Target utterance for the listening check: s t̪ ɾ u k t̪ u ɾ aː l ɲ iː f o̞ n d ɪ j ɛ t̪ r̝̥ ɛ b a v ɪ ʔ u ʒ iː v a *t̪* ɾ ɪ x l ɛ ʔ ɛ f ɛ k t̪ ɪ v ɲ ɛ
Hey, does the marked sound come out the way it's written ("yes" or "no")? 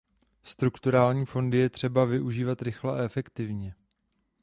yes